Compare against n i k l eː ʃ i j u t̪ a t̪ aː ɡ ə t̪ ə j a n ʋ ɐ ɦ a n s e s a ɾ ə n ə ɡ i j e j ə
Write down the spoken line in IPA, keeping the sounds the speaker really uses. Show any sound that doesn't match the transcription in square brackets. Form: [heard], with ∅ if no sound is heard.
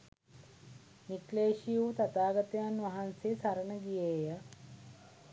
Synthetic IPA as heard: n i k l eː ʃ i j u t̪ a t̪ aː ɡ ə t̪ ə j a n ʋ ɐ ɦ a n s e s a ɾ ə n ə ɡ i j e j ə